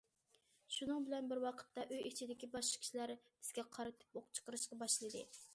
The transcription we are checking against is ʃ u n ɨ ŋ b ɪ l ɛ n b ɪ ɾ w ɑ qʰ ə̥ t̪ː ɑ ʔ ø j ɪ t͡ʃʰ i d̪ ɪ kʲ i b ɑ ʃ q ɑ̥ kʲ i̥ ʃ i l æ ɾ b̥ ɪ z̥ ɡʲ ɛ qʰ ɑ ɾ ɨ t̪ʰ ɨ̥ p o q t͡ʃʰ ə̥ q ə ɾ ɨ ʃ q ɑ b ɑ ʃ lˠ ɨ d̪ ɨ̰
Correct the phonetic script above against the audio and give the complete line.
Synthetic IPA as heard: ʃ u n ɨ ŋ b ɪ l ɛ n b ɪ ɾ w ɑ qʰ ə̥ t̪ː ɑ ʔ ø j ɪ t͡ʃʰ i d̪ ɪ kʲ i b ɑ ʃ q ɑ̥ kʲ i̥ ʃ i l æ ɾ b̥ ɪ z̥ ɡʲ ɛ qʰ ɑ ɾ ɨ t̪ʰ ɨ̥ p o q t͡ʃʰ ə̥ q ə ɾ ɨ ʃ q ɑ b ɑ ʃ lˠ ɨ d̪ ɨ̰